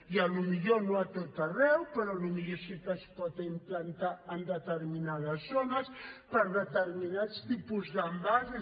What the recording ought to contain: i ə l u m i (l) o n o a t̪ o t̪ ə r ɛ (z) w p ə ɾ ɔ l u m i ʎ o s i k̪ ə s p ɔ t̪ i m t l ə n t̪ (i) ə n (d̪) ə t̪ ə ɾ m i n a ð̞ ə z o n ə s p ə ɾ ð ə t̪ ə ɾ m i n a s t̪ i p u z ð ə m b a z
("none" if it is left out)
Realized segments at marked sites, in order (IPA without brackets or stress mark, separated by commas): ʎ, none, a, d̪